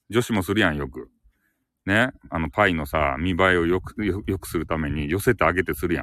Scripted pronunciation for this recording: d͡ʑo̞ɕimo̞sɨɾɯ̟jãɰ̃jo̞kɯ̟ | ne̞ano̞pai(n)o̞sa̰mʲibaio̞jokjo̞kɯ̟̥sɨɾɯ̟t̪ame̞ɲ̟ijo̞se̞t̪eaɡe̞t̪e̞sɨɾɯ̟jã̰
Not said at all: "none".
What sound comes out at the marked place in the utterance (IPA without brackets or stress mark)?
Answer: n